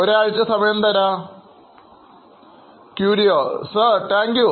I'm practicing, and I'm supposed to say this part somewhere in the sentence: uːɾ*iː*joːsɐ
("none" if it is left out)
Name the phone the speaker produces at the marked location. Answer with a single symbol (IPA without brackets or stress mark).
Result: i